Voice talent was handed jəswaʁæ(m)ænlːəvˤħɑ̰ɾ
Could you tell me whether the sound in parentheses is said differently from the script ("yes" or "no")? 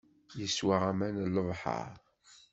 no